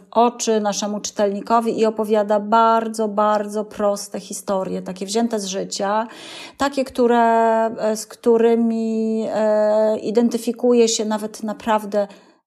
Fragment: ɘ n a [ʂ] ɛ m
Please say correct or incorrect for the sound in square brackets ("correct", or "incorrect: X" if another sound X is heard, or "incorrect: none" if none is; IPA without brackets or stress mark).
correct